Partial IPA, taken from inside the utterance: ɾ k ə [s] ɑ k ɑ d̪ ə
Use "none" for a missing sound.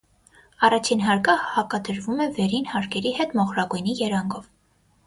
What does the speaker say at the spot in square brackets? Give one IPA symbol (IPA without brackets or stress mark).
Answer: h